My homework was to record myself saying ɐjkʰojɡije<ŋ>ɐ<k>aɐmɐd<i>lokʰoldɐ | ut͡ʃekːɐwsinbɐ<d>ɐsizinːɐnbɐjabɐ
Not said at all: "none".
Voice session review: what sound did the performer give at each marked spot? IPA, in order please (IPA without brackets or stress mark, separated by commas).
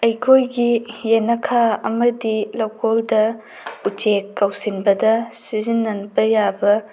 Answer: n, kʰ, i, d